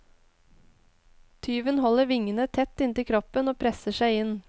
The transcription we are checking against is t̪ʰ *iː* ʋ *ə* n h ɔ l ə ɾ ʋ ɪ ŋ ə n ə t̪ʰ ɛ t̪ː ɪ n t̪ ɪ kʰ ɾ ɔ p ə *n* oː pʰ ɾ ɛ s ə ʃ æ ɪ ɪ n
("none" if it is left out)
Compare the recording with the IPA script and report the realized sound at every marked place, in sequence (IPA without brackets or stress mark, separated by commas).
yː, ə, n